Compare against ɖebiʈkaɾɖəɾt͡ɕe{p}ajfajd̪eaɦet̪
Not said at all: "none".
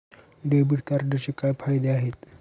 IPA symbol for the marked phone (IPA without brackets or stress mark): k